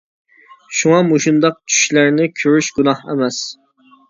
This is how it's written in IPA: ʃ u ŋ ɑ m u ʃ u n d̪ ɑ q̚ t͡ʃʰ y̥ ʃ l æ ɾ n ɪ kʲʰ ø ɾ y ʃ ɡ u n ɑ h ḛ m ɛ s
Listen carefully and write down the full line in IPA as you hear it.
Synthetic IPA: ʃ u ŋ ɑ m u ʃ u n d̪ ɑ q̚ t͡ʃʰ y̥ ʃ l æ ɾ n ɪ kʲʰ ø ɾ y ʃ ɡ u n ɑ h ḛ m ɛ s